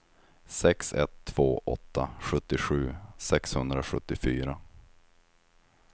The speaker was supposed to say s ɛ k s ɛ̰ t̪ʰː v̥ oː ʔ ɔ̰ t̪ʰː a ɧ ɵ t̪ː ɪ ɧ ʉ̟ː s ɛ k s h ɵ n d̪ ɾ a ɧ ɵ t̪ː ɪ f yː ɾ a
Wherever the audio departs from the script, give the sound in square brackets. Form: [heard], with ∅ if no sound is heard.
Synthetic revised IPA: s ɛ k s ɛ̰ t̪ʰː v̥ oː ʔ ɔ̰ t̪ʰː a ɧ ɵ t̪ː ɪ ɧ ʉ̟ː s ɛ k s h ɵ n d̪ ɾ a ɧ ɵ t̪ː ɪ f yː ɾ a